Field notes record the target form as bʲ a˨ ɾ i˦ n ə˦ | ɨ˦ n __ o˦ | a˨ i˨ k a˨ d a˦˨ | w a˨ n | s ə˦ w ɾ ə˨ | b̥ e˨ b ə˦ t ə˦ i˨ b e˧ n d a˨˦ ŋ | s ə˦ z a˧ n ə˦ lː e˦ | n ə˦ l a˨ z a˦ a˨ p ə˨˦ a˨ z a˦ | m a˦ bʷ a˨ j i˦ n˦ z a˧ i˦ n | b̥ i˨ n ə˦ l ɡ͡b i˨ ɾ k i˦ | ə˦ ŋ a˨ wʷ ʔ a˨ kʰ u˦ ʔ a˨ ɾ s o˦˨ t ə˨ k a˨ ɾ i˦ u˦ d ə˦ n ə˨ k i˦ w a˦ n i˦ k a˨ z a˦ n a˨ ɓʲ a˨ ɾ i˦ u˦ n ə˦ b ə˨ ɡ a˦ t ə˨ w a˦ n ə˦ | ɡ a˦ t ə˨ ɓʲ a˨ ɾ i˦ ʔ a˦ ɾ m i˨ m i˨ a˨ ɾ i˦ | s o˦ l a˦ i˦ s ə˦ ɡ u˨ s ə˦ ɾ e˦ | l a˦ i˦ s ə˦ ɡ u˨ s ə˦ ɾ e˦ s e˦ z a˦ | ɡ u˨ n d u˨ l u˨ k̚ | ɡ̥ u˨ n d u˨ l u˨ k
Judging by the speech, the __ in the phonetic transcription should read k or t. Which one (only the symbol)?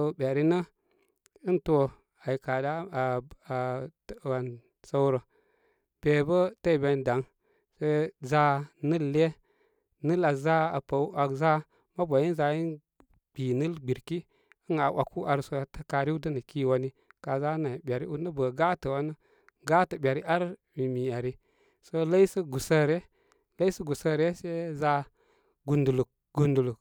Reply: t